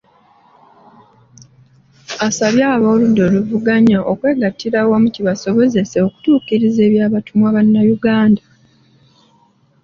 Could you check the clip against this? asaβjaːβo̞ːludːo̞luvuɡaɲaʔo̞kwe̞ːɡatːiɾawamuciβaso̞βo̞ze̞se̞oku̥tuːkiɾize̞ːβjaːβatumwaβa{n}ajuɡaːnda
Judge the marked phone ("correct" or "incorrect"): incorrect